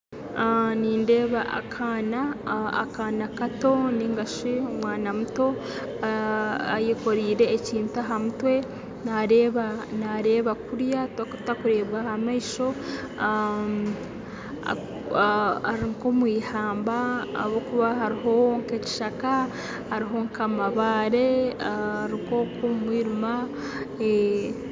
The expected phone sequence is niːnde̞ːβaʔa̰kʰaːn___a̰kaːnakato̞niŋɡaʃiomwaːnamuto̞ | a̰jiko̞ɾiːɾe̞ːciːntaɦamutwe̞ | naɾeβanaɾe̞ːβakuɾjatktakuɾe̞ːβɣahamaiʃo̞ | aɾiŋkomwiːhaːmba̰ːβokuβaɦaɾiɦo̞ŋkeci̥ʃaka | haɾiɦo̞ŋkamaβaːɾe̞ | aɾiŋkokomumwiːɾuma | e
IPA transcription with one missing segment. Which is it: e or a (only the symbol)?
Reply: a